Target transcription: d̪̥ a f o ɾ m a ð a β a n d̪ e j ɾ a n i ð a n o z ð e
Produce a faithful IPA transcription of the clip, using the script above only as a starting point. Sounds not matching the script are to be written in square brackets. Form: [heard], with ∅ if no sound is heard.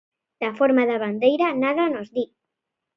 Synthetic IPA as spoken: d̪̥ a f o ɾ m a ð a β a n d̪ e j ɾ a n [a] ð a n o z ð [i]